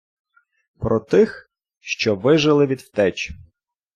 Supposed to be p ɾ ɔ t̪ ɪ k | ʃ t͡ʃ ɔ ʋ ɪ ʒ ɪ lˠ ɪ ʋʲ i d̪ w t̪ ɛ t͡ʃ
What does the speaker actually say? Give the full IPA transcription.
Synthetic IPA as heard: p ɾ ɔ t̪ ɪ x | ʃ t͡ʃ ɔ ʋ ɪ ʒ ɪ lˠ ɪ ʋʲ i d̪ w t̪ ɛ t͡ʃ